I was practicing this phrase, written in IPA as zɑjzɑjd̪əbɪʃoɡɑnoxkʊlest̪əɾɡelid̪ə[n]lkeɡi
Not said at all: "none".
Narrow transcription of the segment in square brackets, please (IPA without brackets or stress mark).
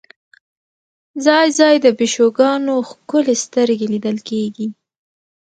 none